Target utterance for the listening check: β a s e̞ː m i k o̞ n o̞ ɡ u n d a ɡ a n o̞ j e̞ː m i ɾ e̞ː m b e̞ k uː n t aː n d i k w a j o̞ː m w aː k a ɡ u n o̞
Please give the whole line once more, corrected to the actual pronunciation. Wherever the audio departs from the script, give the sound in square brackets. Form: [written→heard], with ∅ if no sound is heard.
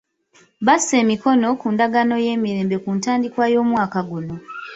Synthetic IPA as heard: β a s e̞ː m i k o̞ n o̞ [ɡ→k] u n d a ɡ a n o̞ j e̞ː m i ɾ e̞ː m b e̞ k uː n t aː n d i k w a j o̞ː m w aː k a ɡ u n o̞